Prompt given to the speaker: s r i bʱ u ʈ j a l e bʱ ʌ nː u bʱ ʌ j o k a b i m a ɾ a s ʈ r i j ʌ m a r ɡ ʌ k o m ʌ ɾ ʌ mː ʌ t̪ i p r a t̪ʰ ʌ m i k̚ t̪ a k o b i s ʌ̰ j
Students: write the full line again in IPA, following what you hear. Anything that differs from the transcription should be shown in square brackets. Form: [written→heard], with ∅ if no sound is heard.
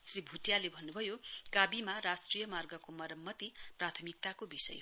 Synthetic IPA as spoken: s r i bʱ u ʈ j a l e bʱ ʌ nː u bʱ ʌ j o k a b i m a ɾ a s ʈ r i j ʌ m a r ɡ ʌ k o m ʌ ɾ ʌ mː ʌ t̪ i p r a t̪ʰ ʌ m i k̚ t̪ a k o b i s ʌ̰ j

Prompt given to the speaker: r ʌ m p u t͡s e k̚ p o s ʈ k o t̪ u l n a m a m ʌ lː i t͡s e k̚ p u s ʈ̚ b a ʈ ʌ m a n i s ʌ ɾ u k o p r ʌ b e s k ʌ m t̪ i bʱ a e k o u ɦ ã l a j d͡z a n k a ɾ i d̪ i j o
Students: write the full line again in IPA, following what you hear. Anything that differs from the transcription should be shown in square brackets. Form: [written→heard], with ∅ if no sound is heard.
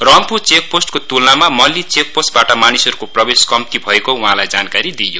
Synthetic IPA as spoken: r ʌ m p u t͡s e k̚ p o s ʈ k o t̪ u l n a m a m ʌ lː i t͡s e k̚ p [u→o] s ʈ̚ b a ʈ ʌ m a n i s ʌ ɾ u k o p r ʌ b e s k ʌ m t̪ i bʱ [a→ʌ] e k o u ɦ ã l a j d͡z a n k a ɾ i d̪ i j o

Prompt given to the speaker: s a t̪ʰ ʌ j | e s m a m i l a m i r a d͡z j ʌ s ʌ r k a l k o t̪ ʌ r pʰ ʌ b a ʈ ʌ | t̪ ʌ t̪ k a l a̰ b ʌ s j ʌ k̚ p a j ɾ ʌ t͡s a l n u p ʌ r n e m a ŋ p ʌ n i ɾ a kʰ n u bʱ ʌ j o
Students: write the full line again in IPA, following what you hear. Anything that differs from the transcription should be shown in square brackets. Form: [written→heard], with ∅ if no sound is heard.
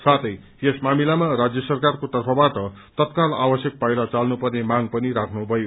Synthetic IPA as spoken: s a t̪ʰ ʌ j | e s m a m i l a m [i→a] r a d͡z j ʌ s ʌ r k a [l→r] k o t̪ ʌ r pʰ ʌ b a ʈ ʌ | t̪ ʌ t̪ k a l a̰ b ʌ s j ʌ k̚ p a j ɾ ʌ t͡s a l n u p ʌ r n e m a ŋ p ʌ n i ɾ a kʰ n u bʱ ʌ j o

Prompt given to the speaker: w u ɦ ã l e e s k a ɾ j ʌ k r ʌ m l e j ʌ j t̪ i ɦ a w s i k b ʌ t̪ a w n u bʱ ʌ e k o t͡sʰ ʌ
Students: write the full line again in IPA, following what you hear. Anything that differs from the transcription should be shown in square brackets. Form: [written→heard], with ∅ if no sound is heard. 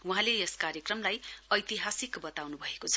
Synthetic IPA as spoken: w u ɦ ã l e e s k a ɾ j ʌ k r ʌ m l [e→a] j ʌ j t̪ i ɦ a [w→∅] s i k b ʌ t̪ a w n u bʱ ʌ e k o t͡sʰ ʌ

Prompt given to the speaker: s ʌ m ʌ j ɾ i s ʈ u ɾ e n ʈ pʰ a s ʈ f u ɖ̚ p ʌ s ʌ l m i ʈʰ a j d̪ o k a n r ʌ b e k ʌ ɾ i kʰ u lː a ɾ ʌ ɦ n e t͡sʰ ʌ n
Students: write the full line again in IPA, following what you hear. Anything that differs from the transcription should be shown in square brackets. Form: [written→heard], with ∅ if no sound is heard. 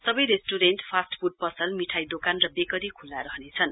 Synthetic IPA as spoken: s ʌ [m→b] ʌ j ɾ [i→e] s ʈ u ɾ e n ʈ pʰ a s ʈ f u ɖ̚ p ʌ s ʌ l m i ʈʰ a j d̪ o k a n r ʌ b e k ʌ ɾ i kʰ u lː a ɾ ʌ ɦ n e t͡sʰ ʌ n

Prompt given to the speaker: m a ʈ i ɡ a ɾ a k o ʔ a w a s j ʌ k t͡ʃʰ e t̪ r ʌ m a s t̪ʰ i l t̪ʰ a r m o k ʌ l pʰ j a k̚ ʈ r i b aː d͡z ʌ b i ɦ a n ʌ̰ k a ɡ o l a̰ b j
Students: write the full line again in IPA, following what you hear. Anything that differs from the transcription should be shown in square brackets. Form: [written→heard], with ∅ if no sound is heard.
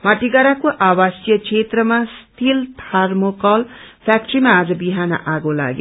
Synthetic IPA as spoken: m a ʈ i ɡ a ɾ a k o ʔ a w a s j ʌ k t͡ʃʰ e t̪ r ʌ m a s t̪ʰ i l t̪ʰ a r m o k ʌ l pʰ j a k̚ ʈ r i [b→m] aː d͡z ʌ b i ɦ a n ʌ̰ [k→ʔ] a ɡ o l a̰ [b→ɡ] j

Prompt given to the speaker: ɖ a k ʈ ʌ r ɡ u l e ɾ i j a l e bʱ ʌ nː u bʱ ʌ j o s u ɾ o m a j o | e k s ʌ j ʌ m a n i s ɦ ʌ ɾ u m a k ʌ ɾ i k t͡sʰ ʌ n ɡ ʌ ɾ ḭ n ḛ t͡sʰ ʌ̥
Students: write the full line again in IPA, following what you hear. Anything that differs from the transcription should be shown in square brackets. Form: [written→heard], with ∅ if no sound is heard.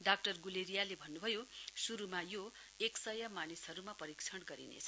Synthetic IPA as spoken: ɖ a k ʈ ʌ r ɡ u l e ɾ i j a l e bʱ ʌ nː u bʱ ʌ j o s u ɾ [o→u] m a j o | e k s ʌ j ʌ m a n i s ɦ ʌ ɾ u m a [k→p] ʌ ɾ i k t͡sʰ ʌ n ɡ ʌ ɾ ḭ n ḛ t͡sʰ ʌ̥

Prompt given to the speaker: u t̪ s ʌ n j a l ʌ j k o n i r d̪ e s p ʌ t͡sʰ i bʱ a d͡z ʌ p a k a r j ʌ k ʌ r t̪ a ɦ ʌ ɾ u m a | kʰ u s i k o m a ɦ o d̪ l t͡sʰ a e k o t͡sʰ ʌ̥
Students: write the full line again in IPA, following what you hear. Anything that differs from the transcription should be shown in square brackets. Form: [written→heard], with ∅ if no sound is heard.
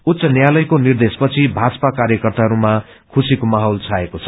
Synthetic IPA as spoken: u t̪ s ʌ n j a l ʌ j k o n i r d̪ e s p ʌ t͡sʰ i bʱ a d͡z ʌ p a k a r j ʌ k ʌ r t̪ a ɦ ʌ ɾ u m a | kʰ u s i k o m a ɦ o [d̪→∅] l t͡sʰ a e k o t͡sʰ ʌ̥

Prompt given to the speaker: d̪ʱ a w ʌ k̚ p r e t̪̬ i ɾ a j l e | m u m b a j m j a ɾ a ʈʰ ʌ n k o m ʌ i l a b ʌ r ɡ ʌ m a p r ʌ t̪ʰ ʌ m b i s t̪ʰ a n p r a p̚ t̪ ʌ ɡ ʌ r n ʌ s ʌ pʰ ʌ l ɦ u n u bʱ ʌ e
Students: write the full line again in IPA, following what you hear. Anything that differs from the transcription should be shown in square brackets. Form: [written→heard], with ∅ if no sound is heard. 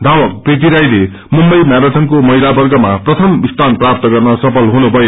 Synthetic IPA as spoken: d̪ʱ a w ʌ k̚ p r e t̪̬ i ɾ a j l e | m u m b [a→ʌ] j m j a ɾ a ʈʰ ʌ n k o m ʌ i l a b ʌ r ɡ ʌ m a p r ʌ t̪ʰ ʌ m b i s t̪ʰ a n p r a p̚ t̪ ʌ ɡ ʌ r n ʌ s ʌ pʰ ʌ l ɦ u n u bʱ ʌ e

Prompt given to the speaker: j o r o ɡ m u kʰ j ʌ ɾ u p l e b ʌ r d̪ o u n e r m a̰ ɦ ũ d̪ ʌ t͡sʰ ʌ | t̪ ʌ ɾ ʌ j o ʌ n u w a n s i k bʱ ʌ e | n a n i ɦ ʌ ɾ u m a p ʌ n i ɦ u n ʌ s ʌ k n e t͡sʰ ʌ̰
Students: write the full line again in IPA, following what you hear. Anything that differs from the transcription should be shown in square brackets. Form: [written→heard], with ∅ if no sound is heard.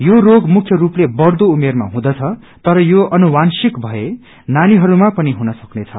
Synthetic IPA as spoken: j o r o ɡ m u kʰ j ʌ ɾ u p l e b ʌ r d̪ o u [n→m] e r m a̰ ɦ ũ d̪ ʌ t͡sʰ ʌ | t̪ ʌ ɾ ʌ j o ʌ n u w a n s i k bʱ ʌ e | n a n i ɦ ʌ ɾ u m a p ʌ n i ɦ u n ʌ s ʌ k n e t͡sʰ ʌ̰

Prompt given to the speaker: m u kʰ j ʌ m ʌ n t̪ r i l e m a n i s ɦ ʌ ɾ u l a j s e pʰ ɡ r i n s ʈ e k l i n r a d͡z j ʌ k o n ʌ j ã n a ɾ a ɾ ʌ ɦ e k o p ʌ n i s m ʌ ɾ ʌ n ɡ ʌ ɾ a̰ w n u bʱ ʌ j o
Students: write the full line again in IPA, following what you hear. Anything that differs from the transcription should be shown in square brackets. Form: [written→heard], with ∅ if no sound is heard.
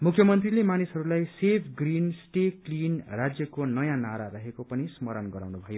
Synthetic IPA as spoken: m u kʰ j ʌ m ʌ n t̪ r i l e m a n i s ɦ ʌ ɾ u l a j s e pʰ ɡ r i n s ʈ e k l i n r a d͡z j ʌ k o n ʌ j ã n a ɾ a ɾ ʌ ɦ e k o p ʌ n i s m ʌ ɾ ʌ n ɡ ʌ ɾ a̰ w n u bʱ ʌ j o

